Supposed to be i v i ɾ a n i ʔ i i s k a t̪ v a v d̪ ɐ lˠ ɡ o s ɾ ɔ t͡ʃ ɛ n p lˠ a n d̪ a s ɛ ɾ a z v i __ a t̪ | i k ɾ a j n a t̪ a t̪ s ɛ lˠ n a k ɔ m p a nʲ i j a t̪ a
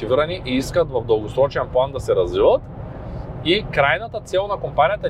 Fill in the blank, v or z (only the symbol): v